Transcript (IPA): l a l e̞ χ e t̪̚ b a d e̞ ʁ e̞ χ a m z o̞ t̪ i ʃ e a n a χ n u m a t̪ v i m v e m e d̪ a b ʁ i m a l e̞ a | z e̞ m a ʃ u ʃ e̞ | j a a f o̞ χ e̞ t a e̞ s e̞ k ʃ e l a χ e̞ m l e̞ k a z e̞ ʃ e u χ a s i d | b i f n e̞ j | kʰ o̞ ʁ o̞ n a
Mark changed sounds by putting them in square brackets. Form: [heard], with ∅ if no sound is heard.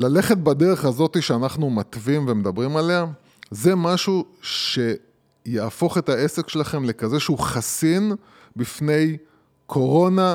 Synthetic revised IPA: l a l e̞ χ e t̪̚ b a d e̞ ʁ e̞ χ a [∅] z o̞ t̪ i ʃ e a n a χ n u m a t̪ v i m v e m e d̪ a b ʁ i m a l e̞ a | z e̞ m a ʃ u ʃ e̞ | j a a f o̞ χ e̞ t a e̞ s e̞ k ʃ e l a χ e̞ m l e̞ k a z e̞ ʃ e u χ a s i [n] | b i f n e̞ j | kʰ o̞ ʁ o̞ n a